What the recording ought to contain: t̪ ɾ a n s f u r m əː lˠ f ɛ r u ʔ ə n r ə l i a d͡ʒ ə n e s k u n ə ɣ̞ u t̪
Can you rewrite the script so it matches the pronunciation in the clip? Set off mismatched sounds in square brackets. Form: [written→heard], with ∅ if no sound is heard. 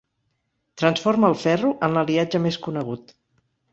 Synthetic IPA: t̪ ɾ [a→ə] n s f [u→o] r m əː lˠ f ɛ r u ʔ ə n [r→l] ə l i a d͡ʒ ə [n→m] e s k u n ə ɣ̞ u t̪

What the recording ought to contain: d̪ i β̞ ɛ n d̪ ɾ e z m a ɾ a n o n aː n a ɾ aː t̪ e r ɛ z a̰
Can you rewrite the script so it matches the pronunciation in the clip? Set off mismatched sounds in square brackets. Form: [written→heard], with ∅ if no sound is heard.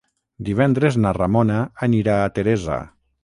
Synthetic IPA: d̪ i β̞ ɛ n d̪ ɾ e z [m→n] a [ɾ→r] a [n→m] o n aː n [a→i] ɾ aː t̪ e [r→ɾ] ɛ z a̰

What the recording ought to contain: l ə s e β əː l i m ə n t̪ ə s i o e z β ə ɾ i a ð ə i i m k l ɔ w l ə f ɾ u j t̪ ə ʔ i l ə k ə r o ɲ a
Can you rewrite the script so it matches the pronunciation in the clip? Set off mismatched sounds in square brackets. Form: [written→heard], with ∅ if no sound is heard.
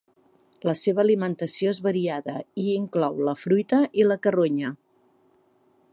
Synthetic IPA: l ə s e β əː l i m ə n t̪ ə s i o e z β ə ɾ i a ð ə i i [m→ŋ] k l ɔ w l ə f ɾ u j t̪ ə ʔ i l ə k ə r o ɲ [a→ə]

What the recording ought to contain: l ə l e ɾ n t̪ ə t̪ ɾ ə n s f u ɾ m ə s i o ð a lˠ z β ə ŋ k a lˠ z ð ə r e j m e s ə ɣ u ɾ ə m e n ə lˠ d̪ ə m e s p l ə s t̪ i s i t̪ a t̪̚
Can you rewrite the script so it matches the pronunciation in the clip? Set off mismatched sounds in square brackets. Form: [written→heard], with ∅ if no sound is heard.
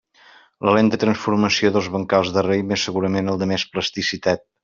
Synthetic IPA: l ə l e [ɾ→∅] n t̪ ə t̪ ɾ ə n s f u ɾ m ə s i o ð [a→ə] lˠ z β ə ŋ k a lˠ z ð ə r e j m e s ə ɣ u ɾ ə m e n ə lˠ d̪ ə m e s p l ə s t̪ i s i t̪ a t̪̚

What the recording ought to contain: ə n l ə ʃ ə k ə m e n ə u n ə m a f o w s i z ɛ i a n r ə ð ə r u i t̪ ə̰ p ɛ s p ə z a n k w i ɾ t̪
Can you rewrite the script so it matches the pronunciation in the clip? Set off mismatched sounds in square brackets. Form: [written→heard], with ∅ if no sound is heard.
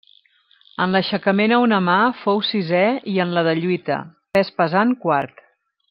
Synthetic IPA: ə n l ə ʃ ə k ə m e n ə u n ə m a f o w s i z ɛ i [a→ə] n [r→l] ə ð ə [r→ʎ] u i t̪ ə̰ p ɛ s p ə z a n k w [i→a] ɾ t̪

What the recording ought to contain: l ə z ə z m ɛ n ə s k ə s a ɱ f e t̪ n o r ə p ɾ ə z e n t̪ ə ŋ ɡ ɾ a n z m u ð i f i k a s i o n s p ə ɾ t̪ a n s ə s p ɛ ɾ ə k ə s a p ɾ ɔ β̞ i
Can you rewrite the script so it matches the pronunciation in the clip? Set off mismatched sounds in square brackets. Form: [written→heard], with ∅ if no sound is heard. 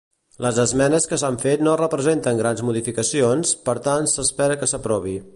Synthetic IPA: l ə z ə z m ɛ n ə s k ə s a ɱ f e t̪ n o r ə p ɾ ə z e n t̪ ə ŋ ɡ ɾ a n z m u ð i f i k [a→ə] s i o n s p ə ɾ t̪ a n s ə s p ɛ ɾ ə k ə s [a→ə] p ɾ ɔ β̞ i

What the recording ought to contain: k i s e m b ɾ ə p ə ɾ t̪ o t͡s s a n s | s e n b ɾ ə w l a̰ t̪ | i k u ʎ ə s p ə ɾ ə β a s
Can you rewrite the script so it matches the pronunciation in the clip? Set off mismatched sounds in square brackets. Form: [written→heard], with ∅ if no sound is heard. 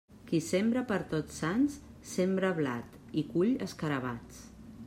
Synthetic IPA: k i s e m b ɾ ə p ə ɾ t̪ o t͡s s a n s | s e [n→m] b ɾ ə [w→β] l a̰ t̪ | i k u ʎ ə s [p→k] ə ɾ ə β a [s→t͡s]

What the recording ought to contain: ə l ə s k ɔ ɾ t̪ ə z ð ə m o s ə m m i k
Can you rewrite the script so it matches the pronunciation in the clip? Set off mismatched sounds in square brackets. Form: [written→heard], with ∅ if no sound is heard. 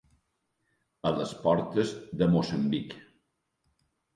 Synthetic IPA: ə l ə s [k→p] ɔ ɾ t̪ ə z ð ə m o s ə m [m→b] i k

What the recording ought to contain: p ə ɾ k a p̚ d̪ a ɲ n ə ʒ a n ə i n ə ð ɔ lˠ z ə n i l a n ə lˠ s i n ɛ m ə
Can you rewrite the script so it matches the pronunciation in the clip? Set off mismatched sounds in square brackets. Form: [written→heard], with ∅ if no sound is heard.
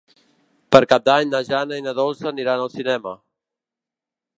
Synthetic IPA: p ə ɾ k a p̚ d̪ a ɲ n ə ʒ a n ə i n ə ð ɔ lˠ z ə n i [l→ɾ] a n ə lˠ s i n ɛ m ə

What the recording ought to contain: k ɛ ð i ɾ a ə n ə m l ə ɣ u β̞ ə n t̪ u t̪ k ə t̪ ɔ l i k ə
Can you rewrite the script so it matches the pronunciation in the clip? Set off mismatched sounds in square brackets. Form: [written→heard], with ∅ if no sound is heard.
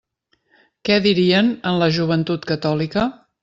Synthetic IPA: k ɛ ð i ɾ [a→i] ə n ə [m→n] l ə [ɣ→ʒ] u β̞ ə n t̪ u t̪ k ə t̪ ɔ l i k ə

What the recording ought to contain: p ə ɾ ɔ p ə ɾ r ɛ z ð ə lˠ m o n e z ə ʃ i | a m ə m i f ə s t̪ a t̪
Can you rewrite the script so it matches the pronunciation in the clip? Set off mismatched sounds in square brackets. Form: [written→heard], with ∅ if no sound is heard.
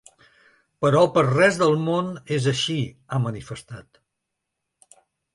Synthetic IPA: p ə ɾ ɔ p ə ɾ r ɛ z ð ə lˠ m o n e z ə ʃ i | a m ə [m→n] i f ə s t̪ a t̪

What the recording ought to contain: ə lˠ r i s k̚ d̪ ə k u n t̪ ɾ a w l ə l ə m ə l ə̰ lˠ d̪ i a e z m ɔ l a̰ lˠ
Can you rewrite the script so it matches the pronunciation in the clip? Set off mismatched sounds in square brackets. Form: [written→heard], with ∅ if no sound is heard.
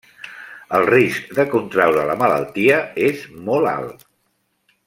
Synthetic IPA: ə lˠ r i s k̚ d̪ ə k u n t̪ ɾ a w [l→ɾ] ə l ə m ə l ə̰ lˠ [d̪→t̪] i [a→ə] e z m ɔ l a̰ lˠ

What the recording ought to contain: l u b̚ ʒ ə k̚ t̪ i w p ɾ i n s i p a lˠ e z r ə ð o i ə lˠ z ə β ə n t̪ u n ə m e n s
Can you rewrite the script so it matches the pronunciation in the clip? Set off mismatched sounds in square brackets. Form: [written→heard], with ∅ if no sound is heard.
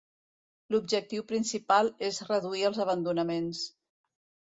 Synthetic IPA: l u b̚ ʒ ə k̚ t̪ i w p ɾ i n s i p a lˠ e z r ə ð [o→u] i ə lˠ z ə β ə n [t̪→d̪] u n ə m e n s

